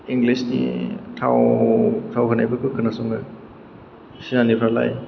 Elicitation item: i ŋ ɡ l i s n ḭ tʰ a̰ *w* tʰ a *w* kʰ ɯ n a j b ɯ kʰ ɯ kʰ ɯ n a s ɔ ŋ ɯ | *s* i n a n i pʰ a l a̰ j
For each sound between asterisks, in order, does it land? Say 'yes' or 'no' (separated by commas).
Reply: yes, yes, yes